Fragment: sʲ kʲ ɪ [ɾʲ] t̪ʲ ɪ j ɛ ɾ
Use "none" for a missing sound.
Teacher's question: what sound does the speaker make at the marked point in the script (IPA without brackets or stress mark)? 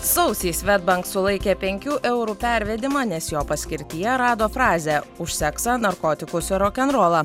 ɾʲ